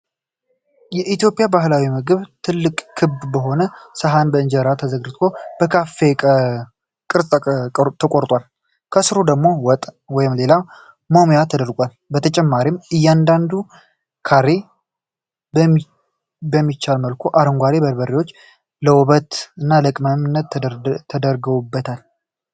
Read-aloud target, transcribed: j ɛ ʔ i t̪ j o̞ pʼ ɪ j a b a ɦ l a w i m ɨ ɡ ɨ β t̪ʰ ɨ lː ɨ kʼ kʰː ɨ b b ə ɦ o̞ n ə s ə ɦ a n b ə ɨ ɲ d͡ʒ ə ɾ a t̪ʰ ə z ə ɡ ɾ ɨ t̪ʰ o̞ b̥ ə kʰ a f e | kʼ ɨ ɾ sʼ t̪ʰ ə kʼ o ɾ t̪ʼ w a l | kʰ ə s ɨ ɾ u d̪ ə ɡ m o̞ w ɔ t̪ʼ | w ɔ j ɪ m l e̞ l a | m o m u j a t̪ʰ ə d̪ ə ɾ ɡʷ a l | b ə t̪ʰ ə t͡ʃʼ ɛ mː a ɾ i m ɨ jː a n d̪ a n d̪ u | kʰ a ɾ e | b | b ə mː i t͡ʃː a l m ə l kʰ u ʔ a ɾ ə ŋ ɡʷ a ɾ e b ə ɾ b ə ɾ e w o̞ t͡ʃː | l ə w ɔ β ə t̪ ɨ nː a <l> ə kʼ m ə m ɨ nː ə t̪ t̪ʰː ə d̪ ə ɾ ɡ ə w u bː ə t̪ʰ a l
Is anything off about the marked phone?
no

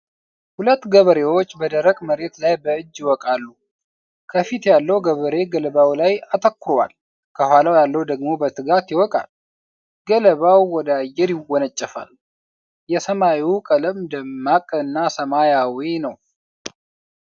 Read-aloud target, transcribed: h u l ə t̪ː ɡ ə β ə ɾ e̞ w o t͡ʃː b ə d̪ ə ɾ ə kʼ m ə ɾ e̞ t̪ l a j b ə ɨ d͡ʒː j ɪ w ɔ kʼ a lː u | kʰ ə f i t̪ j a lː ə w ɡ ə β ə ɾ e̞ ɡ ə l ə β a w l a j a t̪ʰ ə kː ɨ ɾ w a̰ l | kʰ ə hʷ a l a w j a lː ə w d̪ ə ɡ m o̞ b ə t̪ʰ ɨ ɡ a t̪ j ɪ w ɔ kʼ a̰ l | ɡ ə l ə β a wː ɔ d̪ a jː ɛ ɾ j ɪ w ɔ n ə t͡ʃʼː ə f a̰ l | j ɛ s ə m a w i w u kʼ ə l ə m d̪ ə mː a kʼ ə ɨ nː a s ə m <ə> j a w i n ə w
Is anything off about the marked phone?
yes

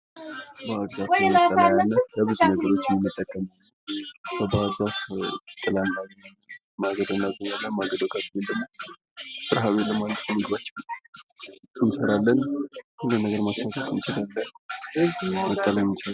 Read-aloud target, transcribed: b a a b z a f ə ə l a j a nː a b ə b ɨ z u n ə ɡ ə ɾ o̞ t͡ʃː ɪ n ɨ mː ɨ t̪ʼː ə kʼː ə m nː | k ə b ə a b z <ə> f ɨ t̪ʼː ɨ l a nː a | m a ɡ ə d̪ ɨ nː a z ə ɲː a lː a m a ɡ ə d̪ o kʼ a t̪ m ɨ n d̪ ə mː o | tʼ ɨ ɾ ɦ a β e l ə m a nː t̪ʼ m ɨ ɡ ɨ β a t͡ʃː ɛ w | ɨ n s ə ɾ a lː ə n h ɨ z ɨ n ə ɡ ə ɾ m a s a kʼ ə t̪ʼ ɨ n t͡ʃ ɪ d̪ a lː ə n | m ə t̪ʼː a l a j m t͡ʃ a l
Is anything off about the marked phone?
yes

